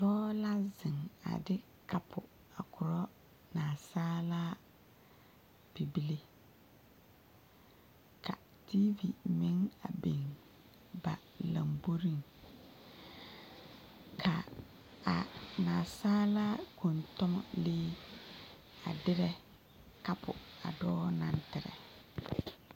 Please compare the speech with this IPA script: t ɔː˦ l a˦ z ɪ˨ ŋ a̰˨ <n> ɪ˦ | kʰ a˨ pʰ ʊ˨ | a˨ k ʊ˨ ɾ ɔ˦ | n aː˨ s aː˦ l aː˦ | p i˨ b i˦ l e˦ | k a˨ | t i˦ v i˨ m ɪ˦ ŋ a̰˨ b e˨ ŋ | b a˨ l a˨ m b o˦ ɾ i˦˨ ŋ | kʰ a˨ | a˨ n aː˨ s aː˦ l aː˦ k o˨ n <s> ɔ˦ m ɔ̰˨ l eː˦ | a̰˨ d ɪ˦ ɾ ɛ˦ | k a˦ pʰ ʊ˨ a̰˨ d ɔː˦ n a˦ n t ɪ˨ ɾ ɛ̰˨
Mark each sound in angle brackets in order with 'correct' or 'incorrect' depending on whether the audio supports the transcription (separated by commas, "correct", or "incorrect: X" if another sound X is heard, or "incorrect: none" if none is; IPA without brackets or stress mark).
incorrect: d, incorrect: t